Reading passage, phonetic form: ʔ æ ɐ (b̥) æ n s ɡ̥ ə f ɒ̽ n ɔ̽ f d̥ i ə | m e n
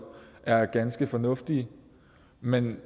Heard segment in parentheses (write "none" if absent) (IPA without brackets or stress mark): ɡ̥